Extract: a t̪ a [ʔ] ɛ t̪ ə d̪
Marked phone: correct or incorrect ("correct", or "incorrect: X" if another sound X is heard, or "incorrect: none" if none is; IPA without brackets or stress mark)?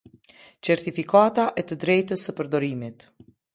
correct